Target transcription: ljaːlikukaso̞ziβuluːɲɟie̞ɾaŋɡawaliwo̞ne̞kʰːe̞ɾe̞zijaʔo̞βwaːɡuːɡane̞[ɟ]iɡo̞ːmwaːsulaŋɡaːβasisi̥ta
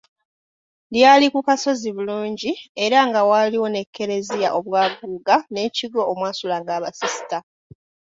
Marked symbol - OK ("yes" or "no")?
no